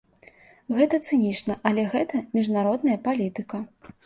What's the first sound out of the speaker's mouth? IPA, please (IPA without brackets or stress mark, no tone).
ɣ